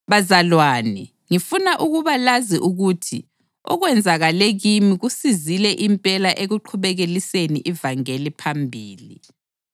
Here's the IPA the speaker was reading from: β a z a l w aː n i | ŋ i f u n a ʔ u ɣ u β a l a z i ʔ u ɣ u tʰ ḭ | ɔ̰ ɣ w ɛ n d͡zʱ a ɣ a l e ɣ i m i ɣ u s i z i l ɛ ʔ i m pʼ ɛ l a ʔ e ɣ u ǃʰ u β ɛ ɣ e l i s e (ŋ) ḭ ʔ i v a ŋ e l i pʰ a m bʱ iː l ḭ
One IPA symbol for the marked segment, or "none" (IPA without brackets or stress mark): n